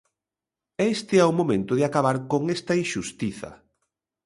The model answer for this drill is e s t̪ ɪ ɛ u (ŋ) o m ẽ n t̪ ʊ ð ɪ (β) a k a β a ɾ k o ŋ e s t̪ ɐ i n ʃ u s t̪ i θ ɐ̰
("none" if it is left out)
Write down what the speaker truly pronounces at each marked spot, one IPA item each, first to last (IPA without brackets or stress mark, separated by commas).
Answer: m, none